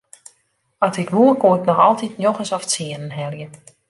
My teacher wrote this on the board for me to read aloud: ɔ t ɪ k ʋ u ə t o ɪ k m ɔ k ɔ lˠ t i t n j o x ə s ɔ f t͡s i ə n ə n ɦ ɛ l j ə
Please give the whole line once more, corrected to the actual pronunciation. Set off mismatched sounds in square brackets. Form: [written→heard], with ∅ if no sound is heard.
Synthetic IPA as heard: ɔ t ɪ k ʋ u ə [t→k] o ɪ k [m→n] ɔ [k→x] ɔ lˠ t i t n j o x ə s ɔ f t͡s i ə n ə n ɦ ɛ l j ə